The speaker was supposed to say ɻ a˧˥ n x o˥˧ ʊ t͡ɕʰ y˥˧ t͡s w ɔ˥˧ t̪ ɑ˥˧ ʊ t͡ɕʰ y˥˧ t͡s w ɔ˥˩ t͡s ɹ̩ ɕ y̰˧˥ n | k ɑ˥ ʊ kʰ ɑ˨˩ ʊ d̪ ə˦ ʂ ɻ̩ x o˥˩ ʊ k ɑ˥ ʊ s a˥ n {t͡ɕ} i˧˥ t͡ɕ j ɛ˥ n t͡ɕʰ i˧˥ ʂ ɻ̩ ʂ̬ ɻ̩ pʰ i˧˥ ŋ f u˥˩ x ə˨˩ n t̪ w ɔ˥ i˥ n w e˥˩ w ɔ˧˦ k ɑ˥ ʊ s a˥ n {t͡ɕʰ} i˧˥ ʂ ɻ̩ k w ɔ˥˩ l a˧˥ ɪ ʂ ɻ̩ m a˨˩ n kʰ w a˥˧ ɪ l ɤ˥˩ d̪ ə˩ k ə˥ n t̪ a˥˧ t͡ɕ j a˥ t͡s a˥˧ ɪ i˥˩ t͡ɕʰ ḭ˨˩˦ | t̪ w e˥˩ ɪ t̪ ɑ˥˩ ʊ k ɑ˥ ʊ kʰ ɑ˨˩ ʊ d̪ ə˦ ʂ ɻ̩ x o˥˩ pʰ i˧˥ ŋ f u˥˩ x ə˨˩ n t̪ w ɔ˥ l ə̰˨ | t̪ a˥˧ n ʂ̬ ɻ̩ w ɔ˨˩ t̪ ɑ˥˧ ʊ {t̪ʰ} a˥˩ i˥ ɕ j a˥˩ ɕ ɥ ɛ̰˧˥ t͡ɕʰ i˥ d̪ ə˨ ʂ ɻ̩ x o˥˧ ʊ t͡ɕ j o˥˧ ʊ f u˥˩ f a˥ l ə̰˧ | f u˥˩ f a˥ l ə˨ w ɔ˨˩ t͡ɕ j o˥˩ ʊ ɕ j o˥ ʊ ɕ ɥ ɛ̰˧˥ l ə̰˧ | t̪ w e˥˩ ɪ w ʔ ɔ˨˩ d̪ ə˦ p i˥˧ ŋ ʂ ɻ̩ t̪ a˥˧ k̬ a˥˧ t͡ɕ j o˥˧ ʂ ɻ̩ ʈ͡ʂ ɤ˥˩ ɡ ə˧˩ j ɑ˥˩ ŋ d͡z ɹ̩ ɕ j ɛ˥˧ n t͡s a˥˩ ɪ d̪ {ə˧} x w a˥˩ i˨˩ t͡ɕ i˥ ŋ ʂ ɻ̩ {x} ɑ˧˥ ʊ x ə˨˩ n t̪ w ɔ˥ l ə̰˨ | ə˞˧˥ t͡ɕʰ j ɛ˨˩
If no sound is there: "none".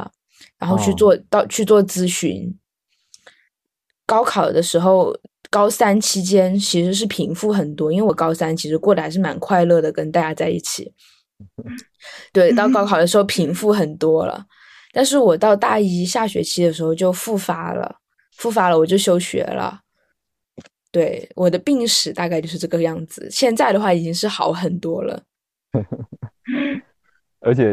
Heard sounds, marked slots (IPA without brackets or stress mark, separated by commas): t͡ɕʰ, t͡ɕʰ, t̪, ə˩, x